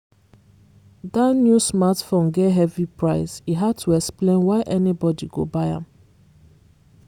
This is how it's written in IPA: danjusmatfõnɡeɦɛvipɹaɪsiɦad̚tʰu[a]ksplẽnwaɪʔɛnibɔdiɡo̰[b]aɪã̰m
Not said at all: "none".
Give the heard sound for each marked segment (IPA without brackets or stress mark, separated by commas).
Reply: ɛ, b